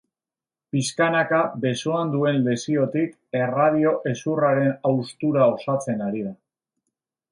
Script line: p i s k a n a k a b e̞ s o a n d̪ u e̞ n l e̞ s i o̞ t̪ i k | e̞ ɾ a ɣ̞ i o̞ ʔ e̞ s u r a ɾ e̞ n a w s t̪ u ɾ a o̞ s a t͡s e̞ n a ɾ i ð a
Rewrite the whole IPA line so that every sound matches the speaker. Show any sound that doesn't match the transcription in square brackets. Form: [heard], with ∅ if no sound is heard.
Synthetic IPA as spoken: p i s k a n a k a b e̞ s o a n d̪ u e̞ n l e̞ s i o̞ t̪ i k | e̞ [r] a [ð̞] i o̞ ʔ e̞ s u r a ɾ e̞ n a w s t̪ u ɾ a o̞ s a t͡s e̞ n a ɾ i ð a

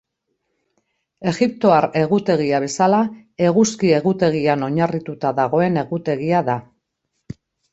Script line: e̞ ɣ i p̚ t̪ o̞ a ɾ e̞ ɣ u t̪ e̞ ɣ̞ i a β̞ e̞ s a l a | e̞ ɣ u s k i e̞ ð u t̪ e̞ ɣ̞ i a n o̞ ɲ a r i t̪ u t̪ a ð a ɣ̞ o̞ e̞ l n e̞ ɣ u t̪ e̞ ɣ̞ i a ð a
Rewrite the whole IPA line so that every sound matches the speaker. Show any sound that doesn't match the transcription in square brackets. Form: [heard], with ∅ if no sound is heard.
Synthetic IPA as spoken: e̞ ɣ i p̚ t̪ o̞ a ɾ e̞ ɣ u t̪ e̞ ɣ̞ i a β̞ e̞ s a l a | e̞ ɣ u s k i e̞ [ɣ] u t̪ e̞ ɣ̞ i a n o̞ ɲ a r i t̪ u t̪ a ð a ɣ̞ o̞ e̞ [∅] n e̞ ɣ u t̪ e̞ ɣ̞ i a ð a

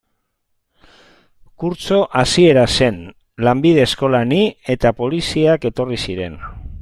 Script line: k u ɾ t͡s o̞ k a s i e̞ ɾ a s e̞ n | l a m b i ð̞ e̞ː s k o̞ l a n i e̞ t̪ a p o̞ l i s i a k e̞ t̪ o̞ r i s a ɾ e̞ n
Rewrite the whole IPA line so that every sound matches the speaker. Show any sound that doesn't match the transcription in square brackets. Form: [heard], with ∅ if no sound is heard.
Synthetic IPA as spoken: k u ɾ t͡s o̞ [ʔ] a s i e̞ ɾ a s e̞ n | l a m b i ð̞ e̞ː s k o̞ l a n i e̞ t̪ a p o̞ l i s i a k e̞ t̪ o̞ r i s [i] ɾ e̞ n

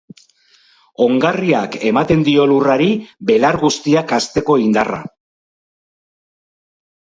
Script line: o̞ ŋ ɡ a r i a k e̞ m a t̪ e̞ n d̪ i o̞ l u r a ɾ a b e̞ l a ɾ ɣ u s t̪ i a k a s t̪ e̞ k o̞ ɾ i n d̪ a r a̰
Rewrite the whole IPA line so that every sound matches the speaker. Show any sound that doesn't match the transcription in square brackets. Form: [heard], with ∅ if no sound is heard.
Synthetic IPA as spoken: o̞ ŋ ɡ a r i a k e̞ m a t̪ e̞ n d̪ i o̞ l u r a ɾ [i] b e̞ l a ɾ ɣ u s t̪ i a k a s t̪ e̞ k o̞ [∅] i n d̪ a r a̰

